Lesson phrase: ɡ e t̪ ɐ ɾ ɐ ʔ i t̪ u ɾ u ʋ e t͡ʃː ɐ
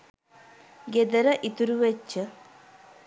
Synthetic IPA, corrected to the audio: ɡ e d̪ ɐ ɾ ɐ ʔ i t̪ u ɾ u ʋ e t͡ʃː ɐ